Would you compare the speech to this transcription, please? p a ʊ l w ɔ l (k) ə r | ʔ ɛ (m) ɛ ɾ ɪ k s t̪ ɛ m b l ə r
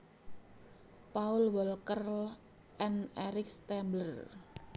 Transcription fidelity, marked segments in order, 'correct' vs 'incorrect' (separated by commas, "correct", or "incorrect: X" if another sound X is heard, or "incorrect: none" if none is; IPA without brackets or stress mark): correct, incorrect: n